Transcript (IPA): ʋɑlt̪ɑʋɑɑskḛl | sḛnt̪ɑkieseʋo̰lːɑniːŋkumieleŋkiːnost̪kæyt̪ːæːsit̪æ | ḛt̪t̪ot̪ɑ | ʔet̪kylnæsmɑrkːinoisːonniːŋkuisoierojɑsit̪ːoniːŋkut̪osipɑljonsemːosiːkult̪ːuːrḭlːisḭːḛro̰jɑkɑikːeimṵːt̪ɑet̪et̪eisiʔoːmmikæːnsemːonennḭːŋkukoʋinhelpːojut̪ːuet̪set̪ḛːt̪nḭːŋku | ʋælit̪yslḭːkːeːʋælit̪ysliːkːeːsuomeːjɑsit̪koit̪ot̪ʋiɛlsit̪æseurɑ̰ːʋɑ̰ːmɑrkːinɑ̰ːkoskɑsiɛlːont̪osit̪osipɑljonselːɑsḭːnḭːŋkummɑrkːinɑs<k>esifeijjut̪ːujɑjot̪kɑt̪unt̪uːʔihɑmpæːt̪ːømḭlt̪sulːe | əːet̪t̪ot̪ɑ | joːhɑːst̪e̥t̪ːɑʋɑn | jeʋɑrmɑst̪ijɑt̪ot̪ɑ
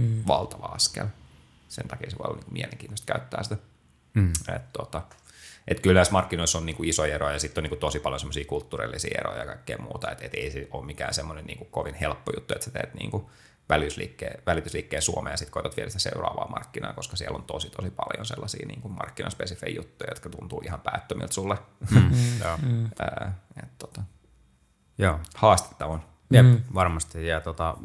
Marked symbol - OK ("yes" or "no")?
no